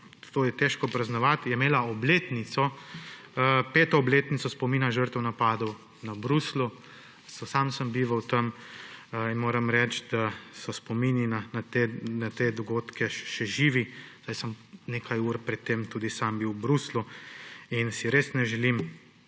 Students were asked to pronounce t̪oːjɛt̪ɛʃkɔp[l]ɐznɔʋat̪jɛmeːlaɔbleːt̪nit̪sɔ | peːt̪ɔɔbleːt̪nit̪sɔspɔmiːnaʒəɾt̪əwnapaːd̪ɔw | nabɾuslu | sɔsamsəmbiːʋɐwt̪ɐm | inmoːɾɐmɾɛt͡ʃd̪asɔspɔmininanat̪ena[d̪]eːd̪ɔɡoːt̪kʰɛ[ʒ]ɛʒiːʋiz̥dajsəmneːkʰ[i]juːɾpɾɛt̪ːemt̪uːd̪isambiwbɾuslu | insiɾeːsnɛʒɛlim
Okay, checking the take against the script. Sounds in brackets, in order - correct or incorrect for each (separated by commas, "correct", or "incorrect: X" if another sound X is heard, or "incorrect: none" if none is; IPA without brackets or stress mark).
incorrect: ɾ, incorrect: t̪, incorrect: ʃ, incorrect: a